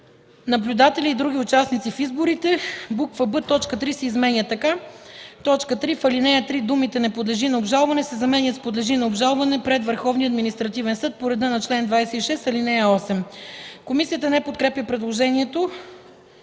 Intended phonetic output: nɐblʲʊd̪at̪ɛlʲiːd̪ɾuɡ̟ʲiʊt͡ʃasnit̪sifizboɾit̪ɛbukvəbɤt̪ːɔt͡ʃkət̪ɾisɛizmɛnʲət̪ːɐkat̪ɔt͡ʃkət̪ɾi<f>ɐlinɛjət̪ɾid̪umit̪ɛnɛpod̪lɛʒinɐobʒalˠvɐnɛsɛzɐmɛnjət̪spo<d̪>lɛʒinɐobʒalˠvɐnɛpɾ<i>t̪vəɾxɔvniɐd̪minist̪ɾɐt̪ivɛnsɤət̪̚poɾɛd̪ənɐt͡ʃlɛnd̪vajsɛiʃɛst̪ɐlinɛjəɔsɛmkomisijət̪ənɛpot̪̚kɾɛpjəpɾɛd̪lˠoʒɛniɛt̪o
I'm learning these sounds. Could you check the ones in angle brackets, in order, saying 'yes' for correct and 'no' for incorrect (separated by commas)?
yes, yes, no